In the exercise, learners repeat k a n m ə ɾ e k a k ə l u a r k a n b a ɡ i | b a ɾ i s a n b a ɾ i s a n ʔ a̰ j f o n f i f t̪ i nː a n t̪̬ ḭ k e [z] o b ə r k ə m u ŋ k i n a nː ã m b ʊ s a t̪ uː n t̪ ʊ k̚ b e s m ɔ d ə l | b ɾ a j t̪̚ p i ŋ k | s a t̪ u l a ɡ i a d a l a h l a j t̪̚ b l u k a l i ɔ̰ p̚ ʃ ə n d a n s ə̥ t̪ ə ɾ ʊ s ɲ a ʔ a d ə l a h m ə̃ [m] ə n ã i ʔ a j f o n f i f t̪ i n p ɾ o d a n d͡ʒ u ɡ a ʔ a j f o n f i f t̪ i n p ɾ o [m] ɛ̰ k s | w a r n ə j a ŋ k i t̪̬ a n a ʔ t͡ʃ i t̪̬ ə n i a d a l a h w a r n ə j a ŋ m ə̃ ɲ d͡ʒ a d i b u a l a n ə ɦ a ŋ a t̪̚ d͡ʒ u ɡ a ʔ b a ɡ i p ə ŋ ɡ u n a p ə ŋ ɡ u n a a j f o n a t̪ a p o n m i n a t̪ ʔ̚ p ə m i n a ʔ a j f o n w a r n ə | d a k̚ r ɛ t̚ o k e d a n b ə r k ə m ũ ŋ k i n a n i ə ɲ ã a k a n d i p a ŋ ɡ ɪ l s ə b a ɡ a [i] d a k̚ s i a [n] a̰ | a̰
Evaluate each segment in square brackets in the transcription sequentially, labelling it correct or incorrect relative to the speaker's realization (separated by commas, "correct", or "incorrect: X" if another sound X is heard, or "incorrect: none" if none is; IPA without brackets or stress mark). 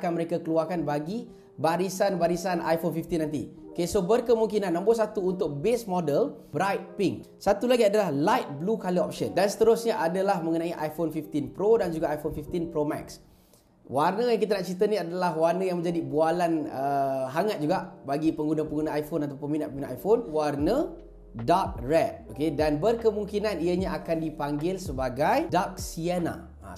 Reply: incorrect: s, incorrect: ŋ, correct, incorrect: j, correct